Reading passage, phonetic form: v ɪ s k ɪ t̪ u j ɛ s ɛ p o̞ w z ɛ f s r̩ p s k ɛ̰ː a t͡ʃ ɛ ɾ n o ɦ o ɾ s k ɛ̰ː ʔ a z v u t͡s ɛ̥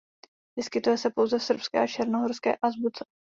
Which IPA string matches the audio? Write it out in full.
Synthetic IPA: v ɪ s k ɪ t̪ u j ɛ s ɛ p o̞ w z ɛ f s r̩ p s k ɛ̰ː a t͡ʃ ɛ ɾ n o ɦ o ɾ s k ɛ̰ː ʔ a z b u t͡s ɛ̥

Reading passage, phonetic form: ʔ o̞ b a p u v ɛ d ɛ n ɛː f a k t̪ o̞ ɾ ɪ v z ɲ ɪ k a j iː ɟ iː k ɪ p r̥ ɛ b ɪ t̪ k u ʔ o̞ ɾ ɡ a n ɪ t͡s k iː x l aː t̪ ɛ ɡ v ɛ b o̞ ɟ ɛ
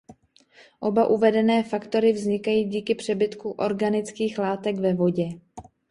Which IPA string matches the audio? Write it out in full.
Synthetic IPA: ʔ o̞ b a ʔ u v ɛ d ɛ n ɛː f a k t̪ o̞ ɾ ɪ v z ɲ ɪ k a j iː ɟ iː k ɪ p r̥ ɛ b ɪ t̪ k u ʔ o̞ ɾ ɡ a n ɪ t͡s k iː x l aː t̪ ɛ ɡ v ɛ v o̞ ɟ ɛ

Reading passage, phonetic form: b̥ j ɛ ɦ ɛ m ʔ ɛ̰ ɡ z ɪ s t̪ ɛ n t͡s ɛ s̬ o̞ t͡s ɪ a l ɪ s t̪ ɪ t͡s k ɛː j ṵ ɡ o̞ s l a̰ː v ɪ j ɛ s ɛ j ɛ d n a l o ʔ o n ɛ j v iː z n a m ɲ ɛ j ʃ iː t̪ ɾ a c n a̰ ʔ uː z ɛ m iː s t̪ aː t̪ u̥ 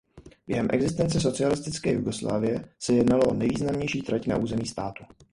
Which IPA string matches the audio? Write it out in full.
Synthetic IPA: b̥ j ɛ ɦ ɛ m ʔ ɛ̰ ɡ z ɪ s t̪ ɛ n t͡s ɛ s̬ o̞ t͡s ɪ a l ɪ s t̪ ɪ t͡s k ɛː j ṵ ɡ o̞ s l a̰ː v ɪ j ɛ s ɛ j ɛ d n a l o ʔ o n ɛ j v iː z n a m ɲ ɛ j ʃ iː t̪ ɾ a c n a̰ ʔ uː z ɛ m iː s t̪ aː t̪ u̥

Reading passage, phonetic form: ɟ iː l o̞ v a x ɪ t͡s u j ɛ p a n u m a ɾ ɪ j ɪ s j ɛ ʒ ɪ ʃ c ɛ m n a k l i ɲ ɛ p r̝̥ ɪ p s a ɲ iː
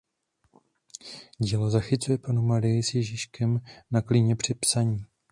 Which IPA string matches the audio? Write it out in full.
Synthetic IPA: ɟ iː l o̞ z a x ɪ t͡s u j ɛ p a n u m a ɾ ɪ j ɪ s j ɛ ʒ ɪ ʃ k ɛ m n a k l i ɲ ɛ p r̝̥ ɪ p s a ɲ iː

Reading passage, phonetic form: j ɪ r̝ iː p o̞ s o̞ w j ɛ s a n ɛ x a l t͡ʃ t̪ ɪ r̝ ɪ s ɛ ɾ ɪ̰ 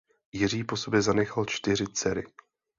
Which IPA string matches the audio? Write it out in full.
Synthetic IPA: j ɪ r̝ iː p o̞ s o̞ b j ɛ z a n ɛ x a l t͡ʃ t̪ ɪ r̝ ɪ t͡s ɛ ɾ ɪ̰

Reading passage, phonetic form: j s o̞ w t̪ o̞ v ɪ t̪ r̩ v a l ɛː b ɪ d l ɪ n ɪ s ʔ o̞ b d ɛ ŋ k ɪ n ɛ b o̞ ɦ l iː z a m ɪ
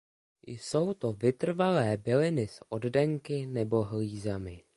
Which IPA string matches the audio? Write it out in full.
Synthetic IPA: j s o̞ w t̪ o̞ v ɪ t̪ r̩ v a l ɛː b ɪ l ɪ n ɪ s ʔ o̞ d d ɛ ŋ k ɪ n ɛ b o̞ ɦ l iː z a m ɪ

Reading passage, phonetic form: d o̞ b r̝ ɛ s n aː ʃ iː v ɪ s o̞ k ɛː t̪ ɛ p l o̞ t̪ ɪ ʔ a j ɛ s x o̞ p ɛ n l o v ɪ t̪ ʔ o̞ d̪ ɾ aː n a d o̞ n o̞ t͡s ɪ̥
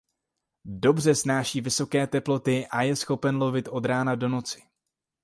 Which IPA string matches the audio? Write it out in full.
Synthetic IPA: d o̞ b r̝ ɛ s n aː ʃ iː v ɪ s o̞ k ɛː t̪ ɛ p l o̞ t̪ ɪ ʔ a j ɛ s x o̞ p ɛ n l o v ɪ t̪ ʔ o̞ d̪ ɾ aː n a d o̞ n o̞ t͡s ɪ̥

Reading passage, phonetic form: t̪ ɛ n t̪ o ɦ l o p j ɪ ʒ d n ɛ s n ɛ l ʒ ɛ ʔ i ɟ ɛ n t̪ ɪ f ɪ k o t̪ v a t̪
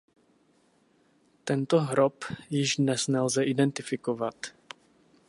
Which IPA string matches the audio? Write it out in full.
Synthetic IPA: t̪ ɛ n t̪ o ɦ ɾ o p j ɪ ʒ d n ɛ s n ɛ l z ɛ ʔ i d ɛ n t̪ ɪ f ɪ k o v a t̪

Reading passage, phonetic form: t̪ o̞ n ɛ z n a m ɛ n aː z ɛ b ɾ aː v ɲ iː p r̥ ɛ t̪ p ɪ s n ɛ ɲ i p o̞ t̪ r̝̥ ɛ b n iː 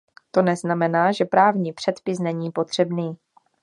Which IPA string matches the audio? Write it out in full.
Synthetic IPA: t̪ o̞ n ɛ z n a m ɛ n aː ʒ ɛ p ɾ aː v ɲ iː p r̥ ɛ t̪ p ɪ s n ɛ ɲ iː p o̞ t̪ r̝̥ ɛ b n iː

